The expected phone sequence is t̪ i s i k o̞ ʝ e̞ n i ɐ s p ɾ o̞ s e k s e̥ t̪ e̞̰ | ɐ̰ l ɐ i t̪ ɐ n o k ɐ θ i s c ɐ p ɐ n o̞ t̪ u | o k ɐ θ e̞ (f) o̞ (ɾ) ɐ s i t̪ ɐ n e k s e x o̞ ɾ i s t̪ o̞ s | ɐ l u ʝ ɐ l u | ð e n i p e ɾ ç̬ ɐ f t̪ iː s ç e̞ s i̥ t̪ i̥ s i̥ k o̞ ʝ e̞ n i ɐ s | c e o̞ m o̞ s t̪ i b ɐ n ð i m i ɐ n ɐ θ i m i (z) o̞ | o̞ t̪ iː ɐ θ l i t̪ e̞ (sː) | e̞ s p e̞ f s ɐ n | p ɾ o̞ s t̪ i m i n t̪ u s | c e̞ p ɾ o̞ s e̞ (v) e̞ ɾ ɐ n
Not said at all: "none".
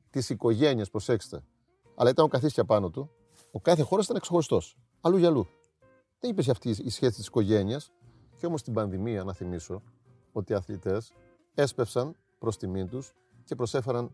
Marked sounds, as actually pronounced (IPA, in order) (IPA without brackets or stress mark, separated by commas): x, ɾ, s, s, f